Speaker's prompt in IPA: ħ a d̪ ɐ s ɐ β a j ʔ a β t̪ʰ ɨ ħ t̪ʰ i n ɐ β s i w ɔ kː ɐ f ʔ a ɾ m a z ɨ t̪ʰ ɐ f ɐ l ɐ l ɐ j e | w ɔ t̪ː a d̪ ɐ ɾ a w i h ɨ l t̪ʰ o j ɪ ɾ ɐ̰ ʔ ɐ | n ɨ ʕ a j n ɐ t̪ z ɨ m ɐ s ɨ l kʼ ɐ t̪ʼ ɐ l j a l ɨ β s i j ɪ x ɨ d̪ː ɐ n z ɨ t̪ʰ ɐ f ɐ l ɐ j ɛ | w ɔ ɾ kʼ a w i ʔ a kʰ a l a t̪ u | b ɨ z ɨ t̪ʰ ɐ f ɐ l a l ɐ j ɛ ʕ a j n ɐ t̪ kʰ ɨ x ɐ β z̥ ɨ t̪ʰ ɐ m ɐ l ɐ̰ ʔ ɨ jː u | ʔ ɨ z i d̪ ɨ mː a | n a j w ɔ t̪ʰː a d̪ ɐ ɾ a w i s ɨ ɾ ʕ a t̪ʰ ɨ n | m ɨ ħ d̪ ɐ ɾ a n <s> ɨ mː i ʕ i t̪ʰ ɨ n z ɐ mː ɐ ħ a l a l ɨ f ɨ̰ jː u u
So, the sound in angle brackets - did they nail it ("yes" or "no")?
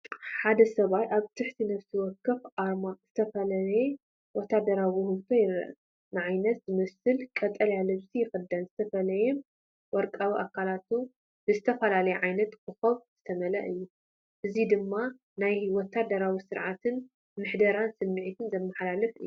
yes